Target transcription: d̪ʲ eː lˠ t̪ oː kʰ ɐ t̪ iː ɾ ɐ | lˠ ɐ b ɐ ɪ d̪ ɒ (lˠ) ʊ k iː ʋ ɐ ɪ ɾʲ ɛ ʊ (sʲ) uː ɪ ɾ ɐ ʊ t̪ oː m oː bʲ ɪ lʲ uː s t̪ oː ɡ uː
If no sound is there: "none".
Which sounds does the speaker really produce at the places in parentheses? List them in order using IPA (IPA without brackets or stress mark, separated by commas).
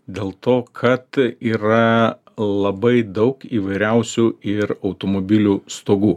none, sʲ